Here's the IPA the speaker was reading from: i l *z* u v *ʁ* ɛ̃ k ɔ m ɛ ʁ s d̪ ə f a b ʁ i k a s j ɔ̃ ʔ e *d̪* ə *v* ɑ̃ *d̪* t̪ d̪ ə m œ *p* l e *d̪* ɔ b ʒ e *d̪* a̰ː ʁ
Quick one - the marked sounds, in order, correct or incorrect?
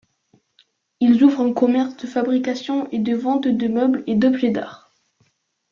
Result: correct, correct, correct, correct, incorrect: none, incorrect: b, correct, correct

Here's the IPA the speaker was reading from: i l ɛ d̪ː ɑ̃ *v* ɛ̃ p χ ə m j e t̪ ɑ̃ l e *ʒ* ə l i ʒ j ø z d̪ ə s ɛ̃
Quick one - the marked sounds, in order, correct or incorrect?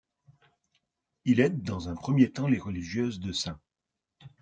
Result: incorrect: z, incorrect: ʁ

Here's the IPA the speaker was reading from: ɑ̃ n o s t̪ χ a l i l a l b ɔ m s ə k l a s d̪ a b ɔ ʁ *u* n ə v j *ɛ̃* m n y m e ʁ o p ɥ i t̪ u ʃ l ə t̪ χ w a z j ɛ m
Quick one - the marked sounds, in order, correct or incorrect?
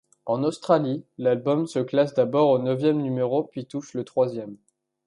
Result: incorrect: o, incorrect: ɛ

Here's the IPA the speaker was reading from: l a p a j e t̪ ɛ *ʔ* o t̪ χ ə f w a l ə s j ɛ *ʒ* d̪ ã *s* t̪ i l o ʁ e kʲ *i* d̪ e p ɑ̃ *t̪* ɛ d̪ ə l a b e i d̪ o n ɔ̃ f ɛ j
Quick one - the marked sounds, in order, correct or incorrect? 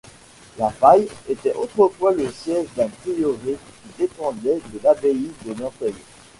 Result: correct, correct, incorrect: none, correct, incorrect: d̪

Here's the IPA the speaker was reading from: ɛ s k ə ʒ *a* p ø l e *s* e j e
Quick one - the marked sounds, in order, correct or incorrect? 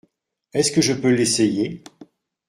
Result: incorrect: ə, correct

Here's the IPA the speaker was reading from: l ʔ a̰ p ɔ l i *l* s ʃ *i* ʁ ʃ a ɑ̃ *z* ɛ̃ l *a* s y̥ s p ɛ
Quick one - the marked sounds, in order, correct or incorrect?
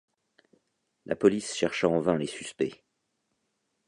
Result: incorrect: none, incorrect: ɛ, incorrect: v, incorrect: e

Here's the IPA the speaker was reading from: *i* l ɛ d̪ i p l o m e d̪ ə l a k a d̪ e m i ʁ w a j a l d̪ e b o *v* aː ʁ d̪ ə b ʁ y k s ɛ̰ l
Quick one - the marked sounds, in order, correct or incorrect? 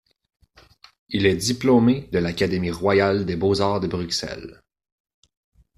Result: correct, incorrect: z

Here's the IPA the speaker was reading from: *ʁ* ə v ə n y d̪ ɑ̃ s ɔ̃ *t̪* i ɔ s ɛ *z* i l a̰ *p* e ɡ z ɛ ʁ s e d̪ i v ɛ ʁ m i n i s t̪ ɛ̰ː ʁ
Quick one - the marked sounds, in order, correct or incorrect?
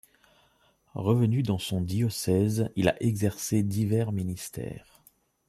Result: correct, incorrect: d̪, correct, incorrect: ʔ

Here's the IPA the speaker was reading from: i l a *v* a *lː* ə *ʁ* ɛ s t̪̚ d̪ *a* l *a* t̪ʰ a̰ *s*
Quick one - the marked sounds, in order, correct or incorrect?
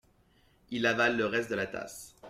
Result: correct, correct, correct, incorrect: ə, correct, correct

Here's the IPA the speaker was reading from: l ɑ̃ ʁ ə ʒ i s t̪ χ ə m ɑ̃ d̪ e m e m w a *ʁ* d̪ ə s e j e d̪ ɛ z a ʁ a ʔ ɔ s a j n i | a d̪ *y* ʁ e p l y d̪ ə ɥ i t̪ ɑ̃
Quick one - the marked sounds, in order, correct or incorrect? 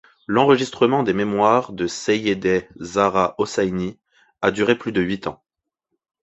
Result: correct, correct

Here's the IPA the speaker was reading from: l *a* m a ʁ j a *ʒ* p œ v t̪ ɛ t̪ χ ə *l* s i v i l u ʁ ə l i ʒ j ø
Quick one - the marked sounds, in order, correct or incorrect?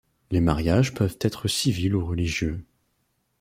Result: incorrect: e, correct, incorrect: none

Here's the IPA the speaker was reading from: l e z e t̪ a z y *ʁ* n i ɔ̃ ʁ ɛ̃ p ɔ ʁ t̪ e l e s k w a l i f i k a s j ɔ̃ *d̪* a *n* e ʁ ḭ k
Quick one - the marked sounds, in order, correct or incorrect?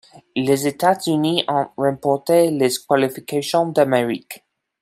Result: incorrect: none, correct, incorrect: m

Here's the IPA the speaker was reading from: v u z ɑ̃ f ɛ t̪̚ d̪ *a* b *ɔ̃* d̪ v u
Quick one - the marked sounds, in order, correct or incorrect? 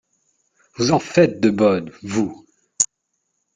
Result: incorrect: ə, incorrect: ɔ

